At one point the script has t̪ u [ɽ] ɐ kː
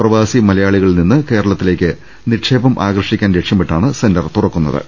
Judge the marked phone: incorrect: r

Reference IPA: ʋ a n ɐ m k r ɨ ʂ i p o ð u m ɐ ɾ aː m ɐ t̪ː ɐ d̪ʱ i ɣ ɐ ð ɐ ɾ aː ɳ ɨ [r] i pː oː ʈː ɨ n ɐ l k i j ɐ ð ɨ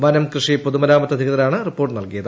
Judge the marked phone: correct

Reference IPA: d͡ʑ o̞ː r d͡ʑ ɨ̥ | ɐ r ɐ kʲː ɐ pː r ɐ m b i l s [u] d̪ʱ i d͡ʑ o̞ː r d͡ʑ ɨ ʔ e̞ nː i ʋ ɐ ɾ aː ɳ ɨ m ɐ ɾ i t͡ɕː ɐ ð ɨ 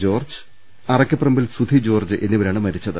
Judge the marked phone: correct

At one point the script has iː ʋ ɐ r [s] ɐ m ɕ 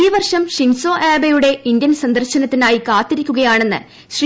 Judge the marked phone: incorrect: ʂ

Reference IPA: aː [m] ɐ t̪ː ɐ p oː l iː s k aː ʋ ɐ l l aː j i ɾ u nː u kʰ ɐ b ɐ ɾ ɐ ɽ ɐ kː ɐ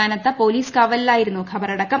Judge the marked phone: incorrect: n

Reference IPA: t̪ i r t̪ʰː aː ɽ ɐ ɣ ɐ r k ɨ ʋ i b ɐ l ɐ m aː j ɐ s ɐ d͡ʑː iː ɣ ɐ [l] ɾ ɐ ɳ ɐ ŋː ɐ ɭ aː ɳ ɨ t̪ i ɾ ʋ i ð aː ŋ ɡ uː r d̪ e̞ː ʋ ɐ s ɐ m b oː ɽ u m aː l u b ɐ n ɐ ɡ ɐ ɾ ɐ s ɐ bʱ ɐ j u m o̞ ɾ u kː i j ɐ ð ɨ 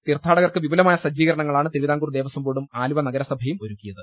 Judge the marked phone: incorrect: none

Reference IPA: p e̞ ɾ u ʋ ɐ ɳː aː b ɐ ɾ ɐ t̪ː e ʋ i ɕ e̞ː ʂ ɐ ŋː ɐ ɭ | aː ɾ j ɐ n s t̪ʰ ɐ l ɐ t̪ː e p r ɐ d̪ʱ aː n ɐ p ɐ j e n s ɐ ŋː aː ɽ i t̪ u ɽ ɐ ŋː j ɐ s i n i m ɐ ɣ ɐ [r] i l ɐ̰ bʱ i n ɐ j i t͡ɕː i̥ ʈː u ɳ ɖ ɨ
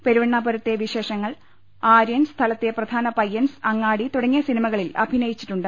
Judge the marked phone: incorrect: ɭ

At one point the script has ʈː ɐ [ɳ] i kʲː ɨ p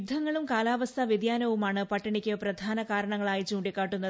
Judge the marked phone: correct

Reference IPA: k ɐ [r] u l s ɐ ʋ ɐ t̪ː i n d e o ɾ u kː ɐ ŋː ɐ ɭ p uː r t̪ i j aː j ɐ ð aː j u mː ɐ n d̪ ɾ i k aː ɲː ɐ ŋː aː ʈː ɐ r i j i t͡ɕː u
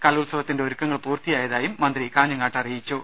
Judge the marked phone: incorrect: l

